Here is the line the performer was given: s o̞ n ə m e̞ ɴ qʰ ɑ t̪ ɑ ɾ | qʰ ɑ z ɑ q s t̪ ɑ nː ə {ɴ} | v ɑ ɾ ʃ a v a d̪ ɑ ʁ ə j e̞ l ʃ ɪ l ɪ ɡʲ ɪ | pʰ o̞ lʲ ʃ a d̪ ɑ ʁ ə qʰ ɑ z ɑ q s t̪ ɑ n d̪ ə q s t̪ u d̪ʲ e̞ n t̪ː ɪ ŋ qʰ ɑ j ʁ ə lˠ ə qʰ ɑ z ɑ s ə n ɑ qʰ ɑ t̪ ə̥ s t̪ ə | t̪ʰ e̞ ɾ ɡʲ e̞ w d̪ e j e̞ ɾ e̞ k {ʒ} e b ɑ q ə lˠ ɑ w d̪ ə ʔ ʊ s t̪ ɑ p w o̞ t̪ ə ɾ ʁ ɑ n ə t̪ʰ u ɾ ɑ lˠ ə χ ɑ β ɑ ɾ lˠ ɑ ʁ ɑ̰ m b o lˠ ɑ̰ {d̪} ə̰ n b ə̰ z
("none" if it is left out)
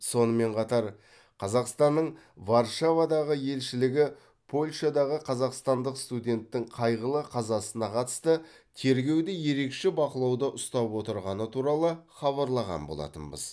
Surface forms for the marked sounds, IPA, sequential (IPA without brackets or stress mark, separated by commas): ɴ, ʃ, t̪